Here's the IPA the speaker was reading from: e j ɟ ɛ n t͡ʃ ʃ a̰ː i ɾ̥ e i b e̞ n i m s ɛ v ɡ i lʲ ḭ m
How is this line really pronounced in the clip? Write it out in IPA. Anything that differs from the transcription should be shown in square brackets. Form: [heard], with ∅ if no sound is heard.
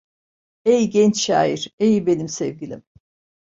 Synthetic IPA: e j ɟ ɛ n t͡ʃ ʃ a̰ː i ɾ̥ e [j] b e̞ n i m s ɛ v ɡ i lʲ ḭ m